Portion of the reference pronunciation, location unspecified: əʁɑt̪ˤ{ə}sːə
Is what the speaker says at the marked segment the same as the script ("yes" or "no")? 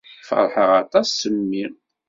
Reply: no